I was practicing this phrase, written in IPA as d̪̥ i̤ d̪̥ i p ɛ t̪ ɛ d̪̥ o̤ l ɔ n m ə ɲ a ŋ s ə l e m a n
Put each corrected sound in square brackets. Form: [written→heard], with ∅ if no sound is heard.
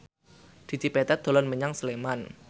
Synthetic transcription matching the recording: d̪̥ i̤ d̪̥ i p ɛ t̪ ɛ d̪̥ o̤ l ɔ n m ə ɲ a ŋ s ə l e m a n